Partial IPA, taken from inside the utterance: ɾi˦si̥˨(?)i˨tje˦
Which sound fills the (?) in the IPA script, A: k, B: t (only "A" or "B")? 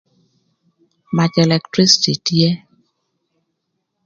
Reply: B